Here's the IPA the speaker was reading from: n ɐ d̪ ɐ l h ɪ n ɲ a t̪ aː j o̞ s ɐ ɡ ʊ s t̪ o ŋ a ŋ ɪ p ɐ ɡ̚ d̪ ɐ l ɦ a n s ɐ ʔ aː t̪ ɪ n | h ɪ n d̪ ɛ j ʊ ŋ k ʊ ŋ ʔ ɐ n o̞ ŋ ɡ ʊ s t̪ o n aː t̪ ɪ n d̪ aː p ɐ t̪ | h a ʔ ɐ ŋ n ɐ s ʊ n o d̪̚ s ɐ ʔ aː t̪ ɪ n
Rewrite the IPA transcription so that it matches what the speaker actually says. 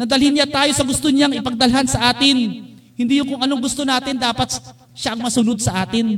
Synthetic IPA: n ɐ d̪ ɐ l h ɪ n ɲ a t̪ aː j o̞ s ɐ ɡ ʊ s t̪ o ɲ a ŋ ɪ p ɐ ɡ̚ d̪ ɐ l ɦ a n s ɐ ʔ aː t̪ ɪ n | h ɪ n d̪ i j ʊ ŋ k ʊ ŋ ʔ ɐ n o̞ ŋ ɡ ʊ s t̪ o n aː t̪ ɪ n d̪ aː p ɐ t̪ | ʃ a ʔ ɐ ŋ m ɐ s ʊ n o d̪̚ s ɐ ʔ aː t̪ ɪ n